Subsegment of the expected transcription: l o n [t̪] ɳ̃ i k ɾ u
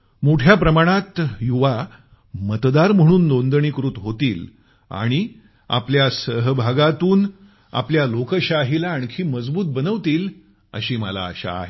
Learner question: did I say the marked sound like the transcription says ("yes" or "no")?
no